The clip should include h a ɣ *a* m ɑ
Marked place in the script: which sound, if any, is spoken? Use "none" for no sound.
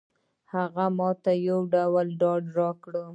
a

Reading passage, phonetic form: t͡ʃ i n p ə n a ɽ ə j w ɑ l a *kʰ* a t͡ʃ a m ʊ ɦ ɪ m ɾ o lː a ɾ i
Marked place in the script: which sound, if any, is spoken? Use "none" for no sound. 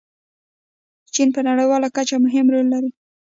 k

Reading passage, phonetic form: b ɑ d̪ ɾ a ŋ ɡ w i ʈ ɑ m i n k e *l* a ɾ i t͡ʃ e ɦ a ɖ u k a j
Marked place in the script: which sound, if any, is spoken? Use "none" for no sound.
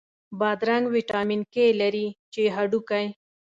l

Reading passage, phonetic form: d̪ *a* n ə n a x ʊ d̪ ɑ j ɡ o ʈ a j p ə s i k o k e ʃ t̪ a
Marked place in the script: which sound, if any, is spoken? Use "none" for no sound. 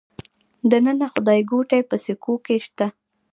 ə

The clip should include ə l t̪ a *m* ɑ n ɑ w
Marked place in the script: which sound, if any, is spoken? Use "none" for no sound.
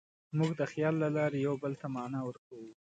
m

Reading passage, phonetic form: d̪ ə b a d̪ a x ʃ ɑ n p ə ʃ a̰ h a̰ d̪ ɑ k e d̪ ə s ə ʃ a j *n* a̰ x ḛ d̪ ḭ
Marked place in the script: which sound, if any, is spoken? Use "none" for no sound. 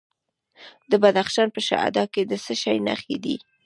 n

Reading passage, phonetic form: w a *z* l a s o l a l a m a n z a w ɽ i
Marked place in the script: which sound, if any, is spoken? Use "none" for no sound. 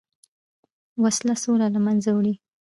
s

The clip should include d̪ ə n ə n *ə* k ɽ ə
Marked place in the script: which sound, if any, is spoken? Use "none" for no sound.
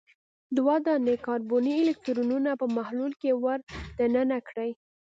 a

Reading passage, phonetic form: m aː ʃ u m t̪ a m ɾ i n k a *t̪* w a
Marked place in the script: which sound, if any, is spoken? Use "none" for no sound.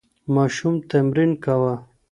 none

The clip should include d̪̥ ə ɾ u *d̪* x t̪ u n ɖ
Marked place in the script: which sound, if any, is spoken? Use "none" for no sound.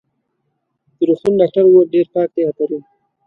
none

